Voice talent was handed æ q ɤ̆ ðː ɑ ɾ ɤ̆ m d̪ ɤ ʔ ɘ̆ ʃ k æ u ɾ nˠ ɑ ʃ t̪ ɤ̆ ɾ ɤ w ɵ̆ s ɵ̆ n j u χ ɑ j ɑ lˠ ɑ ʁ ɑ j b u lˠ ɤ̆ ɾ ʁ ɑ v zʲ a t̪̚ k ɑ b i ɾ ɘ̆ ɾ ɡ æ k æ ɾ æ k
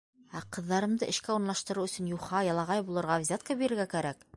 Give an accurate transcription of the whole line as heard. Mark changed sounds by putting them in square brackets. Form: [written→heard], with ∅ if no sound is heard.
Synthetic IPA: æ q ɤ̆ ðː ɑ ɾ ɤ̆ m d̪ ɤ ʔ ɘ̆ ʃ k æ u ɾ nˠ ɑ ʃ t̪ ɤ̆ ɾ ɤ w ɵ̆ s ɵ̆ n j u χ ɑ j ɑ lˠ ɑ ʁ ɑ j b u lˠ ɤ̆ ɾ ʁ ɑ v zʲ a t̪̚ k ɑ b i ɾ ɘ̆ ɾ ɡ æ k æ ɾ æ k

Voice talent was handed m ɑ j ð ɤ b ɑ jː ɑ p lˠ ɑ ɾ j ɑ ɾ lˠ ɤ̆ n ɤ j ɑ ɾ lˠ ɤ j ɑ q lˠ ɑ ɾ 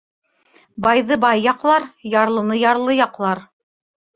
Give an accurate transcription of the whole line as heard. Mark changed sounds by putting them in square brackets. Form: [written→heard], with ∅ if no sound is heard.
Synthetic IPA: [m→b] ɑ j ð ɤ b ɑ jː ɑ [p→q] lˠ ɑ ɾ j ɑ ɾ lˠ ɤ̆ n ɤ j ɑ ɾ lˠ ɤ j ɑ q lˠ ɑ ɾ

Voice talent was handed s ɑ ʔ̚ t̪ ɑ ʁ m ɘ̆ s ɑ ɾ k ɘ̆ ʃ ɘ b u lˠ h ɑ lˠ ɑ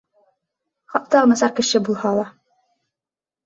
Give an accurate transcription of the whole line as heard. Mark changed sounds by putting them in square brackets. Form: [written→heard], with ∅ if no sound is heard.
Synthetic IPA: [s→χ] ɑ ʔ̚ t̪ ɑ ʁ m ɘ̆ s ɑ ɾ k ɘ̆ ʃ ɘ b u lˠ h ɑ lˠ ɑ

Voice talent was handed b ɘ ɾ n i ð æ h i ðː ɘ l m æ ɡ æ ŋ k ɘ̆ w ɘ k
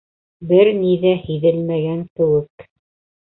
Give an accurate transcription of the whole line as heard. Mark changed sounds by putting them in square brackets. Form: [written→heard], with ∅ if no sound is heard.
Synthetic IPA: b ɘ ɾ n i ð æ h i [ðː→ð] ɘ l m æ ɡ æ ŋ k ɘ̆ w ɘ k

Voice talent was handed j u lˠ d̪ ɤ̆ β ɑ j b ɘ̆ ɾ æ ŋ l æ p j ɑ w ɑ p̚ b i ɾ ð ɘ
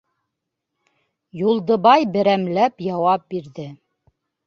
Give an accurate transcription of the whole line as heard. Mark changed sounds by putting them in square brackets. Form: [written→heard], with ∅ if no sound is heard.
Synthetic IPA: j u lˠ d̪ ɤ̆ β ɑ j b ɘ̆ ɾ æ [ŋ→m] l æ p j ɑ w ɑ p̚ b i ɾ ð ɘ

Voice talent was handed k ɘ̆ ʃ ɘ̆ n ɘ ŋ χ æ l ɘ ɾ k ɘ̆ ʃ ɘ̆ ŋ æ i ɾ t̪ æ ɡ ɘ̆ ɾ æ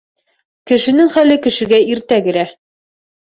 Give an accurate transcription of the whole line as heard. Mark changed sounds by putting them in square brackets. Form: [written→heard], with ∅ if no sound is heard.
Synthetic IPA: k ɘ̆ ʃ ɘ̆ n ɘ ŋ χ æ l ɘ [ɾ→∅] k ɘ̆ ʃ ɘ̆ [ŋ→ɡ] æ i ɾ t̪ æ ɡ ɘ̆ ɾ æ

